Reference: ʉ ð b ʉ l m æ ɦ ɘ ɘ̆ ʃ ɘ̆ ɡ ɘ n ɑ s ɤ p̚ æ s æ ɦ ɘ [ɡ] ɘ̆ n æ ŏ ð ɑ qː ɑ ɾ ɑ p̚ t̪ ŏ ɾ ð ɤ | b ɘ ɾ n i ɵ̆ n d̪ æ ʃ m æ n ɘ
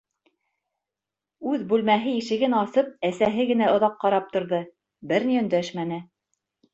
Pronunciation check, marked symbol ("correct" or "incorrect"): correct